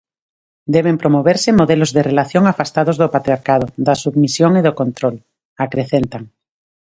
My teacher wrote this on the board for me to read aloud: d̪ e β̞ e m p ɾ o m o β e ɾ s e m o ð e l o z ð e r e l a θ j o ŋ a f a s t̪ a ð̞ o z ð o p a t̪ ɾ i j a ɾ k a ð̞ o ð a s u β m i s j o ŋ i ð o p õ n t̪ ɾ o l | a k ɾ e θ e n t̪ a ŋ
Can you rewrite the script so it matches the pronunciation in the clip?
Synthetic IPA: d̪ e β̞ e m p ɾ o m o β e ɾ s e m o ð e l o z ð e r e l a θ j o ŋ a f a s t̪ a ð̞ o z ð o p a t̪ ɾ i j a ɾ k a ð̞ o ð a s u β m i s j o ŋ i ð o k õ n t̪ ɾ o l | a k ɾ e θ e n t̪ a ŋ